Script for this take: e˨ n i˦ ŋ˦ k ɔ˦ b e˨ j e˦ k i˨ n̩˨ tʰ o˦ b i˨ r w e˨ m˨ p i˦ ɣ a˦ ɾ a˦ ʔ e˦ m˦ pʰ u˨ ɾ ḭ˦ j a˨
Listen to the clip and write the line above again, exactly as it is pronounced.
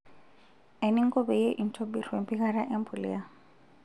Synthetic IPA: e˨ n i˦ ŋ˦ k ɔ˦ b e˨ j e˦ ʔ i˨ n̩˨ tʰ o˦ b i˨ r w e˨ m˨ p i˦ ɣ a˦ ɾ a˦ ʔ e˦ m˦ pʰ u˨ l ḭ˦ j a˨